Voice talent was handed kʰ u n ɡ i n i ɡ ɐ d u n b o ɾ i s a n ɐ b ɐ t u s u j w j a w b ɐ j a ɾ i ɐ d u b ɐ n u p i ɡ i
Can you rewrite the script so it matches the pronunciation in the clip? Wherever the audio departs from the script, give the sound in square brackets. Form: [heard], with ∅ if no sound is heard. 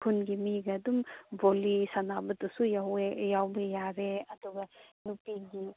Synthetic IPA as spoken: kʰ u n ɡ i [m] i ɡ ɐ d u [m] b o [l] i s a n [a] b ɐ t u s u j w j a w b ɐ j a ɾ [e] ɐ d u [ɡ] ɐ n u p i ɡ i